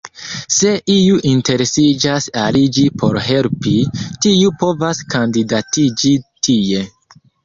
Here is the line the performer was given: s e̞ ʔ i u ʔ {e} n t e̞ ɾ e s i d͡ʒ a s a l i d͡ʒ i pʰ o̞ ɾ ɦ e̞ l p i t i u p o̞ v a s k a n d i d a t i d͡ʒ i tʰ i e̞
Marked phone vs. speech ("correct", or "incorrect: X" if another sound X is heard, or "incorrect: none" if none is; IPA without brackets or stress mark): incorrect: i